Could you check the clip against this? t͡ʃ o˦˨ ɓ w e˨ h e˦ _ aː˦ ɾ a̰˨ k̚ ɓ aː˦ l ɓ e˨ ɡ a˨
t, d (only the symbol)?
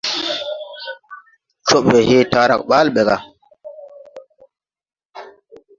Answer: t